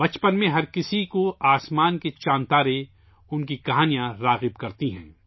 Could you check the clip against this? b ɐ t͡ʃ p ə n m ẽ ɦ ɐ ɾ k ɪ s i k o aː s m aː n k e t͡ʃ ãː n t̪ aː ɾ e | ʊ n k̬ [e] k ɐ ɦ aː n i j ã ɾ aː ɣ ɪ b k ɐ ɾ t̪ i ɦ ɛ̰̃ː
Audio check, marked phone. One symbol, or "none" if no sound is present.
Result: i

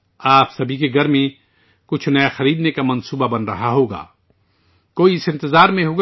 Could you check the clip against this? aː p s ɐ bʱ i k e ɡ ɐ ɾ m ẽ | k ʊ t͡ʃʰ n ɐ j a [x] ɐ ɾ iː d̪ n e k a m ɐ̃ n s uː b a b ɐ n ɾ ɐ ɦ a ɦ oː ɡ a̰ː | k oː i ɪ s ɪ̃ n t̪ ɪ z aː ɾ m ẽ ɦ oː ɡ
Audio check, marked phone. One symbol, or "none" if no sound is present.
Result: x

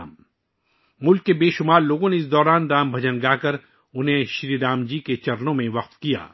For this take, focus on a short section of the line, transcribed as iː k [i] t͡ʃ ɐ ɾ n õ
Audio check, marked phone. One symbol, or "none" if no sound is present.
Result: e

